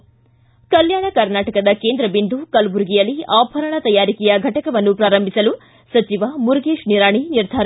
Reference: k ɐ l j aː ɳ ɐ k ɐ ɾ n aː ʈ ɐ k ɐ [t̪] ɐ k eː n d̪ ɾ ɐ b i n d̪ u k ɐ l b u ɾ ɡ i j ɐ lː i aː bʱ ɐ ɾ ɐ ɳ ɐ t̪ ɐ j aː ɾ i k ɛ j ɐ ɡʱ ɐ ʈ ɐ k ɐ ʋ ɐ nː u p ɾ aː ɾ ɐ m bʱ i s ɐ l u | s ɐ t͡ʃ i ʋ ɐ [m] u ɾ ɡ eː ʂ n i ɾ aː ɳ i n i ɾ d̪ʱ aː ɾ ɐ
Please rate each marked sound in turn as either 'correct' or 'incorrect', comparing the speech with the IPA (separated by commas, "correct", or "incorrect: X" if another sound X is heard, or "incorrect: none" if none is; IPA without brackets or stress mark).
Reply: incorrect: d̪, correct